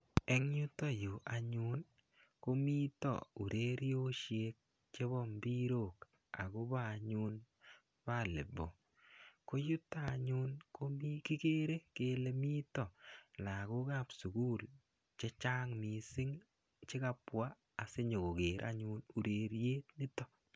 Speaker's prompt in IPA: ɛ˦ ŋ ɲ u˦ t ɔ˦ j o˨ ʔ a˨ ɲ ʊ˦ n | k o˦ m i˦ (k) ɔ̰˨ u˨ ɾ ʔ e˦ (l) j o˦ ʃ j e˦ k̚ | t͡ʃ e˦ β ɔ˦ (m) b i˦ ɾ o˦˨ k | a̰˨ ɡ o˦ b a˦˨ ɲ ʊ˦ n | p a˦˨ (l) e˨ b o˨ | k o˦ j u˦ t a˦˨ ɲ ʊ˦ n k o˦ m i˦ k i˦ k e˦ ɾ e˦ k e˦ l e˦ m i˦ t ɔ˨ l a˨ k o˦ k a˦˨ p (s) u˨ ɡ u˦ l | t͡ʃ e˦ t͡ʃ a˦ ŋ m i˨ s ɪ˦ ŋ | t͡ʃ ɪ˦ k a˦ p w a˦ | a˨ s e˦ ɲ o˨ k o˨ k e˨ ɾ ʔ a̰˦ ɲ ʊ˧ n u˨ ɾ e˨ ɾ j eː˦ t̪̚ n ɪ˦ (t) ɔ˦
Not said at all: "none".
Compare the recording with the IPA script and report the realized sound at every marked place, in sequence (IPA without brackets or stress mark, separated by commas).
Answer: t, ɾ, m, l, s, t